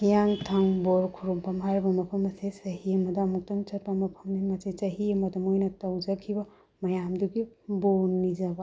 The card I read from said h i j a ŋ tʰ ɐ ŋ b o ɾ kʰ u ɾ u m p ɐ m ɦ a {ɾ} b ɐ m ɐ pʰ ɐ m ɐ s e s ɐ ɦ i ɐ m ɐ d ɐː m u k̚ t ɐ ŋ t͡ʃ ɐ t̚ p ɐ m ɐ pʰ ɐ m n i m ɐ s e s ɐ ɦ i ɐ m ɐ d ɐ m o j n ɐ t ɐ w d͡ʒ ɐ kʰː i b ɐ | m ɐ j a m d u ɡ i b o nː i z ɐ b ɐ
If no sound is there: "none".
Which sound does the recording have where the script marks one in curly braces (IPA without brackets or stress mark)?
ɾ